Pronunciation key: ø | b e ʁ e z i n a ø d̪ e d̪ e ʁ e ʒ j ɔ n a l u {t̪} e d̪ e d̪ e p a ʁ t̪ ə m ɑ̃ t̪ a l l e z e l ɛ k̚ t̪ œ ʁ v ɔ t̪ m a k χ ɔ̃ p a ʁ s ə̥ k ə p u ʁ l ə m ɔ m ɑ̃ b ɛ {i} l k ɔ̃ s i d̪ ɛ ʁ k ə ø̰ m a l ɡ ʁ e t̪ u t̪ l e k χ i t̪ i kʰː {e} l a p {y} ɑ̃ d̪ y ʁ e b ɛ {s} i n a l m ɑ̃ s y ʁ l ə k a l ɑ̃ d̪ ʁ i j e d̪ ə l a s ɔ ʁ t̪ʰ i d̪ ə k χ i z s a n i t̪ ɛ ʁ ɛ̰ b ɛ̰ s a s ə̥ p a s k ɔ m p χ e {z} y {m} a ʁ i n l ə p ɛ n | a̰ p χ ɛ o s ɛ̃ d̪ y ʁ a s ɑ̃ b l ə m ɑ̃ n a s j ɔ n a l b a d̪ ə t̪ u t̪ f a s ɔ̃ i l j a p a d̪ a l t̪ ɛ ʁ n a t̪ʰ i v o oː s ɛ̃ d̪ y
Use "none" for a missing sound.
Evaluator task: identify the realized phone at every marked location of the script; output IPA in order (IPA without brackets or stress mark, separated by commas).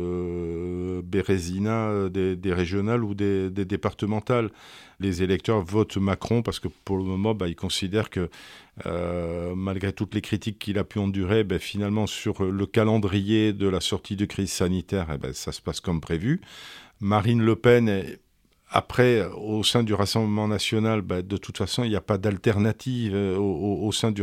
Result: d̪, i, i, y, f, v, m